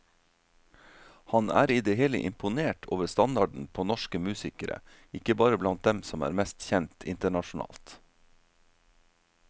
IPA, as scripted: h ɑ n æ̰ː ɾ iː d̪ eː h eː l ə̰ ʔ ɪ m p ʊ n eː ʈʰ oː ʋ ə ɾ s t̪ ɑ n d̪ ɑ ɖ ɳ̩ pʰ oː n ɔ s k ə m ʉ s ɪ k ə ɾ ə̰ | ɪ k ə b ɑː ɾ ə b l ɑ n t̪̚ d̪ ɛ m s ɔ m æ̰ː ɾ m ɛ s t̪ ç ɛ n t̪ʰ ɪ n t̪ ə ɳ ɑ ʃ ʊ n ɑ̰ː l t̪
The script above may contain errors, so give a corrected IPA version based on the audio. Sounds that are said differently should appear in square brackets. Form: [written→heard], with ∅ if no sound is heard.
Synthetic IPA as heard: h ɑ n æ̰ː ɾ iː d̪ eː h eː l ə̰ ʔ ɪ m p ʊ n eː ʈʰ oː ʋ ə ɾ s t̪ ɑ n d̪ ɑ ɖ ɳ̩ pʰ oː n ɔ [s→ʃ] k ə m [ʉ→ʉː] s ɪ k ə ɾ ə̰ | ɪ k ə b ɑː ɾ ə b l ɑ n t̪̚ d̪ ɛ m s ɔ m æ̰ː ɾ m ɛ s t̪ ç ɛ n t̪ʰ ɪ n t̪ ə ɳ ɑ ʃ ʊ n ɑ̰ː l t̪